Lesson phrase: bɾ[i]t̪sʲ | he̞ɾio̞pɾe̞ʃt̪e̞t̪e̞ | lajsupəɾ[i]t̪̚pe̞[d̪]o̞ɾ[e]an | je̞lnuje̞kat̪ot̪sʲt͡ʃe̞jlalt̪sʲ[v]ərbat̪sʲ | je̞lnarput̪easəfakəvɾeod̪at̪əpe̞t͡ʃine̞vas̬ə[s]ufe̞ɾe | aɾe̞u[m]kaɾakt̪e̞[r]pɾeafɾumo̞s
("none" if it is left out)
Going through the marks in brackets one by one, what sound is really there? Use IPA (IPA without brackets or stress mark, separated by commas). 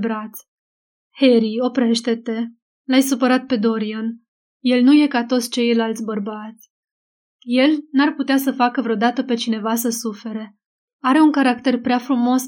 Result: a, a, d̪, i, b, s, ŋ, r